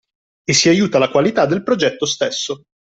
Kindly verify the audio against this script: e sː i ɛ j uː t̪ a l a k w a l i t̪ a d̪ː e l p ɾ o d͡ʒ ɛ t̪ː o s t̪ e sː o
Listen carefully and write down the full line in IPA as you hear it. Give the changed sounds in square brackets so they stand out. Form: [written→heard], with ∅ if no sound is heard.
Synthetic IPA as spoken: e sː i [ɛ→a] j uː t̪ a l a k w a l i t̪ a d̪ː e l p ɾ o d͡ʒ ɛ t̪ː o s t̪ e sː o